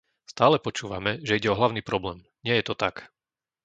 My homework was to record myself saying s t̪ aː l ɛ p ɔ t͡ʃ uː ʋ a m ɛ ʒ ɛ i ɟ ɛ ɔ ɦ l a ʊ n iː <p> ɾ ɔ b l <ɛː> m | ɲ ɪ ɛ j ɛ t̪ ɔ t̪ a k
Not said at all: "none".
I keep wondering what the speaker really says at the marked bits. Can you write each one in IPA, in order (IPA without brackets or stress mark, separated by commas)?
p, ɛː